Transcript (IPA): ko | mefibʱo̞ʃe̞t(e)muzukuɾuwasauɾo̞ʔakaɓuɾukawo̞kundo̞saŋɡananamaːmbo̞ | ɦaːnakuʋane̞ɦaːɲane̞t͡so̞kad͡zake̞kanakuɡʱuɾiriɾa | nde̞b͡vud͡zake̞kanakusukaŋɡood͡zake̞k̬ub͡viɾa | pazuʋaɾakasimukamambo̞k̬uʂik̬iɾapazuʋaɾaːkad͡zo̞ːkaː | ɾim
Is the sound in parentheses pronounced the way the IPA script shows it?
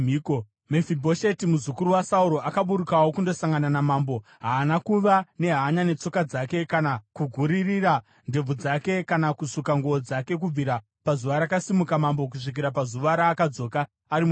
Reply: no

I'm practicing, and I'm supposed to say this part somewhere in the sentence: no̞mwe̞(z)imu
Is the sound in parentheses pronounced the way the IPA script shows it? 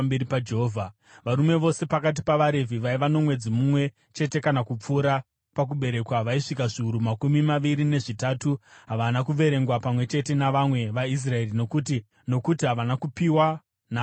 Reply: no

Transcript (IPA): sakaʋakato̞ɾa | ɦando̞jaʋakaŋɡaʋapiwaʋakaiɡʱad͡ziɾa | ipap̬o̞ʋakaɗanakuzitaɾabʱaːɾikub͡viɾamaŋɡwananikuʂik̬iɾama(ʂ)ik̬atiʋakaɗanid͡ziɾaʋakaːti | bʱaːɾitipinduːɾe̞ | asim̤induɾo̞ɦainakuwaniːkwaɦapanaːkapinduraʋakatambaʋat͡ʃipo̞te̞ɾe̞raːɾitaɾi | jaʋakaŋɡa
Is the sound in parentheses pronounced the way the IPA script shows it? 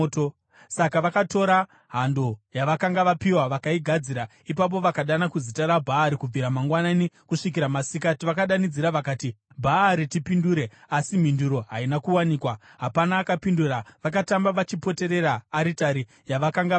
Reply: no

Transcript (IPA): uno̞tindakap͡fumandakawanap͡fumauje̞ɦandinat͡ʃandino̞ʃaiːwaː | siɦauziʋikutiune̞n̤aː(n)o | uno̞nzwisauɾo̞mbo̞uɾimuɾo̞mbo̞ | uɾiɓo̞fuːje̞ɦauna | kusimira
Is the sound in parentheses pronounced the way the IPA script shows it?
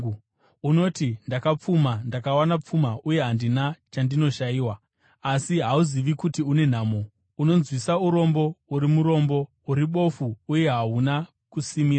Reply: no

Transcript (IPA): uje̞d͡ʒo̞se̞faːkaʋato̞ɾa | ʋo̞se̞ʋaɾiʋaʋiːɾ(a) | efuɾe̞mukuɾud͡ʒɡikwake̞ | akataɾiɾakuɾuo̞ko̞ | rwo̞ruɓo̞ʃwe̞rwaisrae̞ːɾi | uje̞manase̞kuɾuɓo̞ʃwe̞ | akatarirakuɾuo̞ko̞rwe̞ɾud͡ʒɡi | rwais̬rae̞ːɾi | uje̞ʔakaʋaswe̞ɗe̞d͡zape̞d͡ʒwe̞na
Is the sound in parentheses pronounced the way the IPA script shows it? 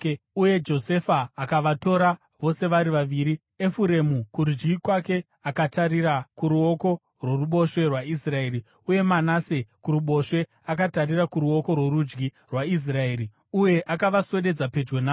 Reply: no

